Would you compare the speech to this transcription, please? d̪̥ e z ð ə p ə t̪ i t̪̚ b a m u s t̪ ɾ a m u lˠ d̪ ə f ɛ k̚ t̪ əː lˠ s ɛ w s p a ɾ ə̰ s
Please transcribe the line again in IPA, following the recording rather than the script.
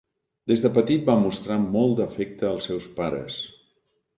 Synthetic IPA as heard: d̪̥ e z ð ə p ə t̪ i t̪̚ b a m u s t̪ ɾ a m ɔ lˠ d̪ ə f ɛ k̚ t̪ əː lˠ s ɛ w s p a ɾ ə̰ s